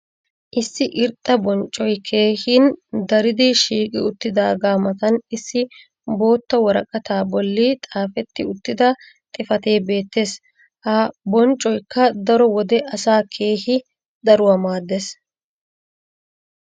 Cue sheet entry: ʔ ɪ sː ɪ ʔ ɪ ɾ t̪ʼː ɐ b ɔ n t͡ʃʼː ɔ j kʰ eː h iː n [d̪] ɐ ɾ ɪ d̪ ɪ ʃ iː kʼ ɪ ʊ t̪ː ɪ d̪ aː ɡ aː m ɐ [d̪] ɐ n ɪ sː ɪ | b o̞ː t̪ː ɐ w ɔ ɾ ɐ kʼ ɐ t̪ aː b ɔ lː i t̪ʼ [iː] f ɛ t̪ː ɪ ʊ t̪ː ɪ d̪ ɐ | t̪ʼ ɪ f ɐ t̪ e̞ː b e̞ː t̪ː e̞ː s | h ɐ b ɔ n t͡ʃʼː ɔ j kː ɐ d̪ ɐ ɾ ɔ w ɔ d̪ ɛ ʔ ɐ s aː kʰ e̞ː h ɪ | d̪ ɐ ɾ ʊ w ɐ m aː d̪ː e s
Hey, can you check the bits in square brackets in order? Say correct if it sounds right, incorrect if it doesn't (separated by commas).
correct, incorrect, incorrect